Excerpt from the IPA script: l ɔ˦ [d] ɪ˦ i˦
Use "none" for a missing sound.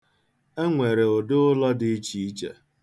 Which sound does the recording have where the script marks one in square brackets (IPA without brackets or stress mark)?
d